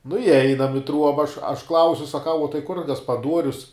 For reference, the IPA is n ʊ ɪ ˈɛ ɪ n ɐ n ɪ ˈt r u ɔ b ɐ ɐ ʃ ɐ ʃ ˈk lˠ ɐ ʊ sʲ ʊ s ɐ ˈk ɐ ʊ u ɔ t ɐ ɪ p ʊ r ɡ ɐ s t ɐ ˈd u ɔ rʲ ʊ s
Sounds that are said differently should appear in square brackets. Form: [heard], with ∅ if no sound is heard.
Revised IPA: n ʊ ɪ ˈɛ ɪ n ɐ [m] ɪ ˈt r u ɔ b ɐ ɐ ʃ ɐ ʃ ˈk lˠ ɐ ʊ sʲ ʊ s ɐ ˈk ɐ ʊ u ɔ t ɐ ɪ [k] ʊ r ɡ ɐ s [p] ɐ ˈd u ɔ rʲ ʊ s